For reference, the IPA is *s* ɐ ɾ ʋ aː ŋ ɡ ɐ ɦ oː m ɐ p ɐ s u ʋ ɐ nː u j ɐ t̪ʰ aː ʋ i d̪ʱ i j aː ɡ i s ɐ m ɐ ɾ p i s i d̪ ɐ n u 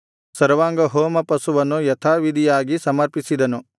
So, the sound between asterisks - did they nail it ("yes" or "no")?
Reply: yes